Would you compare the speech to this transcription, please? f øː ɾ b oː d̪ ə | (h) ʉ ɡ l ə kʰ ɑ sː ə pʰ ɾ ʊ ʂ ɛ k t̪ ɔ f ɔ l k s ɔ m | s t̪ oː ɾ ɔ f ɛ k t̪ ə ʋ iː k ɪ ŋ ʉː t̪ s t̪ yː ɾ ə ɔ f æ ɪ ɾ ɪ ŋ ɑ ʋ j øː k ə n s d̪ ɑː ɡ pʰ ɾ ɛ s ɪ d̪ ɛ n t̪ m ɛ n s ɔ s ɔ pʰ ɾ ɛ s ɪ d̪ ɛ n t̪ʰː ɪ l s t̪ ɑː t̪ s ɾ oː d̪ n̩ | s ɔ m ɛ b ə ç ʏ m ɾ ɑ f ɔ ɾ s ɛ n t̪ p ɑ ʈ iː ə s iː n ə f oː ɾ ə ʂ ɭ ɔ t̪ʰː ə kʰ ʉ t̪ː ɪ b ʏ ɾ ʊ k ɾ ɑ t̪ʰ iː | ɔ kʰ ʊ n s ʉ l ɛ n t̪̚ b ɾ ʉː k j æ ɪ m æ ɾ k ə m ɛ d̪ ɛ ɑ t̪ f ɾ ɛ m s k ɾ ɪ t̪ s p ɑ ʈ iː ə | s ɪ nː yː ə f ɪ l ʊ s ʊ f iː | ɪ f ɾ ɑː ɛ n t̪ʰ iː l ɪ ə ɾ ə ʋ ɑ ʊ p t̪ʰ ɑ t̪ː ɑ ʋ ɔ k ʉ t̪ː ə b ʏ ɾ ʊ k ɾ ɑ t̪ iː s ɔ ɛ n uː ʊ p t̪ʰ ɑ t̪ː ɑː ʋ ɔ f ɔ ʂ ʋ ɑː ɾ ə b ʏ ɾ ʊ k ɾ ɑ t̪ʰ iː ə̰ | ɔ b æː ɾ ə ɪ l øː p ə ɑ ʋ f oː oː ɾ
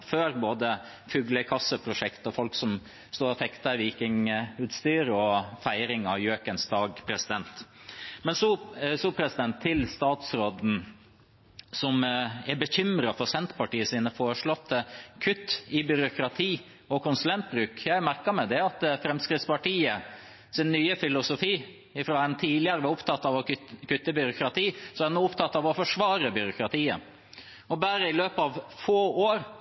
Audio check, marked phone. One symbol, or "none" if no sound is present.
f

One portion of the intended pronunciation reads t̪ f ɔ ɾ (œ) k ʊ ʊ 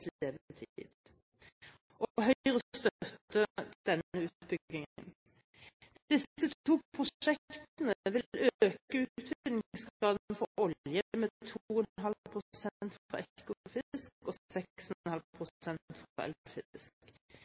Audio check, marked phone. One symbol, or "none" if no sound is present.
ɛ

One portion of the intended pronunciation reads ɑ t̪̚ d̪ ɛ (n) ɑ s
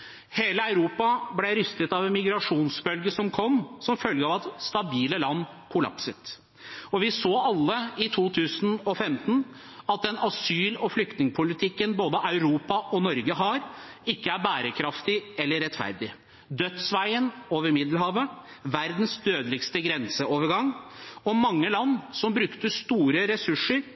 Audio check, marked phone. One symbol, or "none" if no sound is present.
n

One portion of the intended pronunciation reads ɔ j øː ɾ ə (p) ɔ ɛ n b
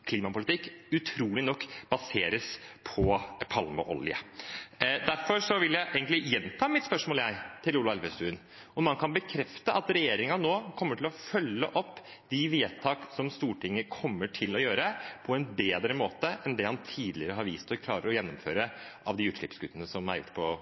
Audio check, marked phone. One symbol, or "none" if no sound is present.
pʰ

